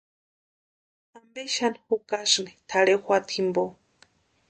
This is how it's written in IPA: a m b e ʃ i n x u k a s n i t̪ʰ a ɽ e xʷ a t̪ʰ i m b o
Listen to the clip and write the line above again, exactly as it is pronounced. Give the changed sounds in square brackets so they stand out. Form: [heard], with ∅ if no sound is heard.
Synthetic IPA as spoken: a m b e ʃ [a] n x u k a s n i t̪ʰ a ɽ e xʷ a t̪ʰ i m b o